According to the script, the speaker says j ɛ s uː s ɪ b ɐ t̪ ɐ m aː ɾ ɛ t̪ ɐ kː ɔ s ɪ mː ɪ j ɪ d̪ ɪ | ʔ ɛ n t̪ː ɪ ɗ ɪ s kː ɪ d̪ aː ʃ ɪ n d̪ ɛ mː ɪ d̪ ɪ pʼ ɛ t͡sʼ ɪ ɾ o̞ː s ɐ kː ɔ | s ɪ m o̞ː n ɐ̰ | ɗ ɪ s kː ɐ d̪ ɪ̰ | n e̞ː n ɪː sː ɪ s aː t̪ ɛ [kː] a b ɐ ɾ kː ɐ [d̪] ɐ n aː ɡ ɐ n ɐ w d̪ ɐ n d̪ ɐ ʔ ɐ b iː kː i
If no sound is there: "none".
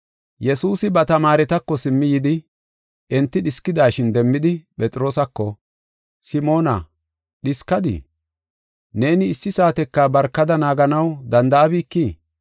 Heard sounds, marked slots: kː, d̪

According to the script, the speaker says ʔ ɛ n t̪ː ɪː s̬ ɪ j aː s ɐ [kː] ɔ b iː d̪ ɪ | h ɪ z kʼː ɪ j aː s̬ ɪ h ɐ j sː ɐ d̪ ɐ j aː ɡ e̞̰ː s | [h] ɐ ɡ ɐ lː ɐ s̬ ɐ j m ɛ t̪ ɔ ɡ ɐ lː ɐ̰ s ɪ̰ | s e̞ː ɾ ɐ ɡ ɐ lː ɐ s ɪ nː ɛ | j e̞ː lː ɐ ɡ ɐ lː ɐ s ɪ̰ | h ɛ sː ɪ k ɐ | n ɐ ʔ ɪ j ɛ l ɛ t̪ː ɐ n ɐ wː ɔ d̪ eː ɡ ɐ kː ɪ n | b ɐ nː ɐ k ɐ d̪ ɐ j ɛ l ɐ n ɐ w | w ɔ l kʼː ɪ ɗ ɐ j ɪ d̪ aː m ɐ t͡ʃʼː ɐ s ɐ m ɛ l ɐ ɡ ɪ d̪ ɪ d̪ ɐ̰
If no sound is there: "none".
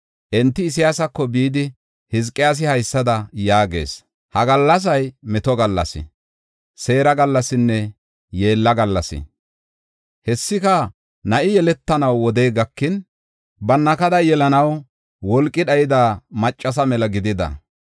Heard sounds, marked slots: kː, h

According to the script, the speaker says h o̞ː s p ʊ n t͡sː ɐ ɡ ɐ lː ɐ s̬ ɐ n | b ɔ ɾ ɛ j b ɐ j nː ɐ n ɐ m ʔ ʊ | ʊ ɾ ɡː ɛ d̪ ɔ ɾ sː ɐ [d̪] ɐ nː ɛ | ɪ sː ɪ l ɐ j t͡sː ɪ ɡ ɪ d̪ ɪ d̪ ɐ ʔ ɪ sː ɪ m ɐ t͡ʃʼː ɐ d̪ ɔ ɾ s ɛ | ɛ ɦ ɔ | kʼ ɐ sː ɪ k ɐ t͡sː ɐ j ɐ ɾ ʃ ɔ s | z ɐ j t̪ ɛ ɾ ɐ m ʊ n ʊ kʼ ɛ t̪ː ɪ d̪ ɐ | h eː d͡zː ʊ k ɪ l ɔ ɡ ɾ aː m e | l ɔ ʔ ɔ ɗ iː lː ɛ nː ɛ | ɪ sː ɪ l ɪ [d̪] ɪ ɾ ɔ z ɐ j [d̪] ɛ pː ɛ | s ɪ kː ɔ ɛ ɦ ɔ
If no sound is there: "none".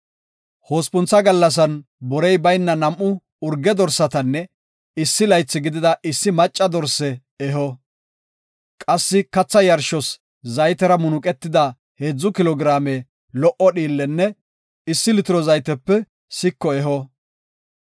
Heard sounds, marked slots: t̪, t̪, t̪

